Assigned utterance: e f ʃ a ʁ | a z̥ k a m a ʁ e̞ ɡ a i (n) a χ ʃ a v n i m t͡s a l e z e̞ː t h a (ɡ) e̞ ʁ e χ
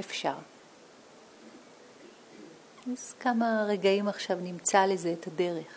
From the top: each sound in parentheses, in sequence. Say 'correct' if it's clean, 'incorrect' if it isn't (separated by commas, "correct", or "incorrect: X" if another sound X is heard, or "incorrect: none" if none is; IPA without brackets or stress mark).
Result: incorrect: m, incorrect: d